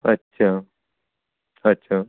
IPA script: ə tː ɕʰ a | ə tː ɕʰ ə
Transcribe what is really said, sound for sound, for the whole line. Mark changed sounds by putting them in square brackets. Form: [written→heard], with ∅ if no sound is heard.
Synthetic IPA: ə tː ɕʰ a | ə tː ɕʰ [ə→a]